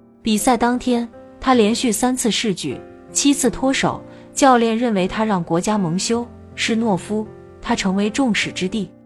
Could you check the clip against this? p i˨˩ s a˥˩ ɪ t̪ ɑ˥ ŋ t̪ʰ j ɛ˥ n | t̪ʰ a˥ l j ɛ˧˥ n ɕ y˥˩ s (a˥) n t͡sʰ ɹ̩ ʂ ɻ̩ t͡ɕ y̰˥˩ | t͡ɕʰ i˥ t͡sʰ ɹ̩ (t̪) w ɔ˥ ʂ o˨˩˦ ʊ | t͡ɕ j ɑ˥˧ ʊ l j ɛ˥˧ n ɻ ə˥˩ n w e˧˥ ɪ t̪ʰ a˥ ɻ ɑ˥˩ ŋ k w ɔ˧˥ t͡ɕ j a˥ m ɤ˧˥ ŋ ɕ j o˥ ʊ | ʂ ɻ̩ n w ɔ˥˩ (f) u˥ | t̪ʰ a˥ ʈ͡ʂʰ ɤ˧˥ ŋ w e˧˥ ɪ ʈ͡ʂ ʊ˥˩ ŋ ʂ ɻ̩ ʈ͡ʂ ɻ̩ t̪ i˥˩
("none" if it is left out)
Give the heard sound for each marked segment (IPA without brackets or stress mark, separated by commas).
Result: a˥, t̪ʰ, f